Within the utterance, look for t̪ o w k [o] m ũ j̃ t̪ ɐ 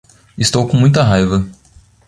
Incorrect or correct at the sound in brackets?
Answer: incorrect: õ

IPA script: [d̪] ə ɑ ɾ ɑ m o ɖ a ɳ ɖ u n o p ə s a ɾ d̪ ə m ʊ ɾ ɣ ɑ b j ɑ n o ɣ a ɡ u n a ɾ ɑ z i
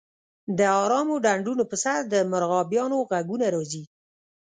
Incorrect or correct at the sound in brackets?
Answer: correct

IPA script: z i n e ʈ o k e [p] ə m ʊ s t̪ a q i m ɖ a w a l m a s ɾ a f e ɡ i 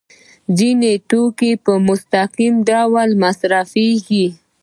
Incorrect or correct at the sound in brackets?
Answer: correct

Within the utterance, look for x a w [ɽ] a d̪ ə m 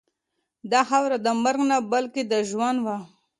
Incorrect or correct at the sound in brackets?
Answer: incorrect: ɾ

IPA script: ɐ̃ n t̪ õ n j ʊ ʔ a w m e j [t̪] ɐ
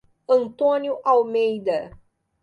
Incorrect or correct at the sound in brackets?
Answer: incorrect: d̪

